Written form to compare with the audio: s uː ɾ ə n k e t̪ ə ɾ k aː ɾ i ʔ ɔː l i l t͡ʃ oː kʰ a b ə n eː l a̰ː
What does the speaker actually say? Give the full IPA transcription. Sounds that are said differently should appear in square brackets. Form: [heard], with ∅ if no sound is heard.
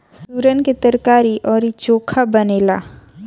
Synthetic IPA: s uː ɾ ə n k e t̪ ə ɾ k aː ɾ i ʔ ɔː [ɾ] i [∅] t͡ʃ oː kʰ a b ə n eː l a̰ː

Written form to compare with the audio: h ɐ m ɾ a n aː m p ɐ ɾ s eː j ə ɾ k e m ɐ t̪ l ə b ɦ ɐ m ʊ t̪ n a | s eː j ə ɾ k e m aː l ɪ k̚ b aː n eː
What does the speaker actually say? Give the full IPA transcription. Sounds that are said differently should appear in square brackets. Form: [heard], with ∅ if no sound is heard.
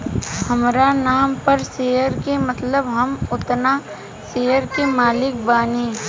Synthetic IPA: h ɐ m ɾ a n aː m p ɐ ɾ s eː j ə ɾ k e m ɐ t̪ l ə b ɦ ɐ m ʊ t̪ n a | s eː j ə ɾ k e m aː l ɪ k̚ b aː n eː

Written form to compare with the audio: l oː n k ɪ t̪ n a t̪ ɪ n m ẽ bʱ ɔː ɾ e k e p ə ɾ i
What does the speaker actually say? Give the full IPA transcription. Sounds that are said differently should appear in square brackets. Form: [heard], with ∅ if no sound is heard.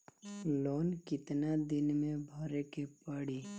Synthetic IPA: l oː n k ɪ t̪ n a [d̪] ɪ n m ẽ bʱ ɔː ɾ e k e p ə [ɽ] i

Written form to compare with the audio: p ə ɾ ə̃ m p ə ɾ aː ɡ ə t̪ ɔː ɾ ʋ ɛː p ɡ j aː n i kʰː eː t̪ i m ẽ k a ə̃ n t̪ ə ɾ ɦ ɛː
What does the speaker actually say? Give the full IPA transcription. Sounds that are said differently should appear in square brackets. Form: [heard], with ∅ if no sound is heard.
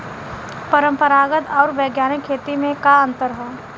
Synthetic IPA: p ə ɾ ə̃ m p ə ɾ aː ɡ ə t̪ ɔː ɾ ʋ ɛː [∅] ɡ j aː n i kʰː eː t̪ i m ẽ k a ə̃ n t̪ ə ɾ ɦ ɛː

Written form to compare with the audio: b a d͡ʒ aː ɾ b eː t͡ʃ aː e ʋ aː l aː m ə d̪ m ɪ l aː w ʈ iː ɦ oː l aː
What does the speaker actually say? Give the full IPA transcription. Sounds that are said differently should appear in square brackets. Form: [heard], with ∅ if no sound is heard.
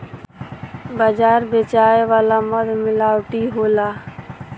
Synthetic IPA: b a d͡ʒ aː ɾ b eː t͡ʃ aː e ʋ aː l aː m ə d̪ m ɪ l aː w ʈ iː ɦ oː l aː

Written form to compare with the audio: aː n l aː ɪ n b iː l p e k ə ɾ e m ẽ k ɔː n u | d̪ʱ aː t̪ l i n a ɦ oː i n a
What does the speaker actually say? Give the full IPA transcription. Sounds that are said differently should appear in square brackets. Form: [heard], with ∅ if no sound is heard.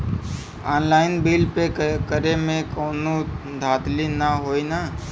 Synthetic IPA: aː n l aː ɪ n b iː l p e k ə ɾ e m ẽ k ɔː n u | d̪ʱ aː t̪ l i n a ɦ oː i n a

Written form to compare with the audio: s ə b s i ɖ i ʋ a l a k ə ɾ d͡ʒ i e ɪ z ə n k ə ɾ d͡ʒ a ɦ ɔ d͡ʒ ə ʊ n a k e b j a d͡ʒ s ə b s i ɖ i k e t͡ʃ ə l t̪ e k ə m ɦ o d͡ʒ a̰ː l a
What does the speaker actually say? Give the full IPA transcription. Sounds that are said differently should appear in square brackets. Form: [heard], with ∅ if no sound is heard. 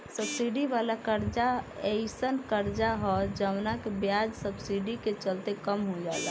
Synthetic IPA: s ə b s i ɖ i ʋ a l a k ə ɾ d͡ʒ [a] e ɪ [s] ə n k ə ɾ d͡ʒ a ɦ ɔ d͡ʒ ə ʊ n a k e b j a d͡ʒ s ə b s i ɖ i k e t͡ʃ ə l t̪ e k ə m ɦ o d͡ʒ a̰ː l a

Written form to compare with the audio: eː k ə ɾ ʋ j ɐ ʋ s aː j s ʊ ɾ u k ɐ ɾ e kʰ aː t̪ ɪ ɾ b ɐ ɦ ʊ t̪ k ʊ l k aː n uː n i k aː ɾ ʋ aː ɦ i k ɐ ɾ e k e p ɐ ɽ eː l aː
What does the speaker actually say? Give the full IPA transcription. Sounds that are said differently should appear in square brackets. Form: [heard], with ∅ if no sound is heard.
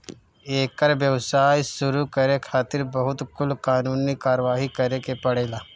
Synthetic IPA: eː k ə ɾ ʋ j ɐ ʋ s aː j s ʊ ɾ u k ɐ ɾ e kʰ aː t̪ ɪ ɾ b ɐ ɦ ʊ t̪ k ʊ l k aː n uː n i k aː ɾ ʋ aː ɦ i k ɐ ɾ e k e p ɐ ɽ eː l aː

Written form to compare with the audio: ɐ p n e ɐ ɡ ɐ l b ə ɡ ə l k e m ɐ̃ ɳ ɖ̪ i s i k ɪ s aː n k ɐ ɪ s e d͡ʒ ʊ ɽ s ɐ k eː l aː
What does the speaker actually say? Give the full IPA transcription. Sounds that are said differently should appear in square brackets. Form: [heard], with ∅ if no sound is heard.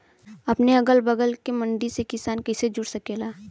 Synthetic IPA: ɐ p n e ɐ ɡ [ə] l b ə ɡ ə l k e m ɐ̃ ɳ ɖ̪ i s [e] k ɪ s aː n k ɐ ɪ s e d͡ʒ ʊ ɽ s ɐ k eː l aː

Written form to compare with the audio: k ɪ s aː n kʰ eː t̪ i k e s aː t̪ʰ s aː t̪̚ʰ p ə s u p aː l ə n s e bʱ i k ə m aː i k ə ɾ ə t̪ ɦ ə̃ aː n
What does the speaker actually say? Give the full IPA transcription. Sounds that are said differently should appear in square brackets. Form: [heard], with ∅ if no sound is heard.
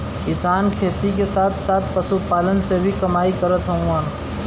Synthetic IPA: k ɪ s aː n kʰ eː t̪ i k e s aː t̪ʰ s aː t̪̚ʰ p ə s u p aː l ə n s e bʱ i k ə m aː i k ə ɾ ə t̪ ɦ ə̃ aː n

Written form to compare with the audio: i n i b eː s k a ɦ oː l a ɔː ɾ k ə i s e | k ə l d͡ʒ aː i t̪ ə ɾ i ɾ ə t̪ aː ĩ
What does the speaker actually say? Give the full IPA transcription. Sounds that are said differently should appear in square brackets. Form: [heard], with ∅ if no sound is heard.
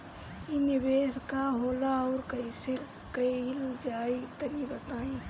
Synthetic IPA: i n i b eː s k a ɦ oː l a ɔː ɾ k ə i s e | k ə l d͡ʒ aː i t̪ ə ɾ i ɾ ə t̪ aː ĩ

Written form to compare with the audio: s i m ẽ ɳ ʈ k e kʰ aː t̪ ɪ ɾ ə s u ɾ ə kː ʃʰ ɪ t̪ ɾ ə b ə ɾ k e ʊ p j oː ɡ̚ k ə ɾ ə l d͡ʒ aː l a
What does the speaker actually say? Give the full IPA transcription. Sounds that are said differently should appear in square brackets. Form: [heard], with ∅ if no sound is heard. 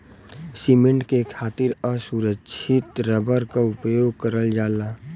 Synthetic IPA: s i m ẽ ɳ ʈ k e kʰ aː t̪ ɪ ɾ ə s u ɾ ə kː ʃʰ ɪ t̪ ɾ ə b ə ɾ k [a] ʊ p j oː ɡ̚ k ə ɾ ə l d͡ʒ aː l a

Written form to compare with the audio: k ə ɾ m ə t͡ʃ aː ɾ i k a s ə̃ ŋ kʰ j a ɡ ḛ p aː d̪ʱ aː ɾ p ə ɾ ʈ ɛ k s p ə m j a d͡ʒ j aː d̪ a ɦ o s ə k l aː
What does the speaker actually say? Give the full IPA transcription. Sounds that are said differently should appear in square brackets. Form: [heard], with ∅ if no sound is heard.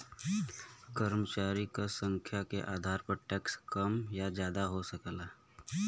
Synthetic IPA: k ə ɾ m ə t͡ʃ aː ɾ i k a s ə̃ ŋ kʰ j a [k] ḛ [ʔ] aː d̪ʱ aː ɾ p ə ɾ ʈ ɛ k s [k] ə m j a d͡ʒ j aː d̪ a ɦ o s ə k l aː

